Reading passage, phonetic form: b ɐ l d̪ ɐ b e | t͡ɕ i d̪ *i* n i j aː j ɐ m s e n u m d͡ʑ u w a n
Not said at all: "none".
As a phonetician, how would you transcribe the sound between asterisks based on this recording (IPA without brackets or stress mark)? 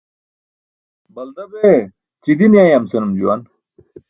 i